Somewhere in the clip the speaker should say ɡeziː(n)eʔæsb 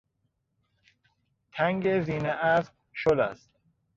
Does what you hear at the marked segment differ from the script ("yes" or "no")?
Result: no